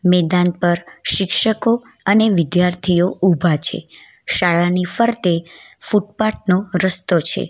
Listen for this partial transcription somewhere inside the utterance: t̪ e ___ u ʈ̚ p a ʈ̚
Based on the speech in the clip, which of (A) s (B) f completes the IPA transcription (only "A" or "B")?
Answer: B